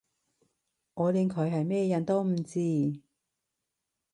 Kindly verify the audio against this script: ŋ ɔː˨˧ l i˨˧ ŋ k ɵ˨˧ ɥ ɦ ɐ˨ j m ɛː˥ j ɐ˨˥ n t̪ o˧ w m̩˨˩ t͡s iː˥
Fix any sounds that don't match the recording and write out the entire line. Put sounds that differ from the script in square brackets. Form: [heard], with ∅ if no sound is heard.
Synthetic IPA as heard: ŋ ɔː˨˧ l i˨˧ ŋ [kʰ] ɵ˨˧ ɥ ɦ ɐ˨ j m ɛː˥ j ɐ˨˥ n t̪ [o˥] w m̩˨˩ t͡s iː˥